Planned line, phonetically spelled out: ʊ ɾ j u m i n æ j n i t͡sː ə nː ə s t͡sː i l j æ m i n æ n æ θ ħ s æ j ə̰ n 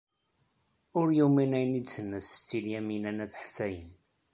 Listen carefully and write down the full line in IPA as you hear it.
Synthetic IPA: ʊ ɾ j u m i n æ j n i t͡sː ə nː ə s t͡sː i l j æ m i n æ n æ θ ħ s æ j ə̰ n